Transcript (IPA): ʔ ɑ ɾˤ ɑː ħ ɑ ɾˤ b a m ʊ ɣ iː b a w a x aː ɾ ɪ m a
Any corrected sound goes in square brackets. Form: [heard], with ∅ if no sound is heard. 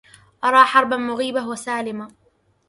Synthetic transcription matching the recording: ʔ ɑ ɾˤ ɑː ħ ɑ ɾˤ b a m ʊ ɣ iː b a w a [s] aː [l] ɪ m a